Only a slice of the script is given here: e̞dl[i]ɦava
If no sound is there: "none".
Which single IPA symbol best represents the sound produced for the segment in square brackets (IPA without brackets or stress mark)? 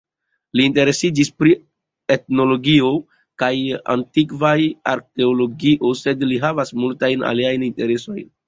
i